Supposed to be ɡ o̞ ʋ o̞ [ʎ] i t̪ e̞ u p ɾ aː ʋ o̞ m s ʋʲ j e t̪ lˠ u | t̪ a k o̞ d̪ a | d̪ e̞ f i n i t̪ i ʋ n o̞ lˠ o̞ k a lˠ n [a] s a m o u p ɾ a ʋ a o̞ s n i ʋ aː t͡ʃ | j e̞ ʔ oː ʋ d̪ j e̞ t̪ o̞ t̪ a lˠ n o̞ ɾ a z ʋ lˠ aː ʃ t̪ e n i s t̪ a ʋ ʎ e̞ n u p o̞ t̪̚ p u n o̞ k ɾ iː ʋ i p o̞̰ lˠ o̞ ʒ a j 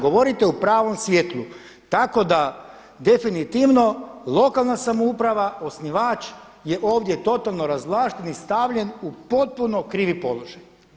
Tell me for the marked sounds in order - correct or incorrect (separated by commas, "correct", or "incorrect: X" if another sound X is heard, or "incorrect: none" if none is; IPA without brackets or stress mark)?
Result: incorrect: ɾ, correct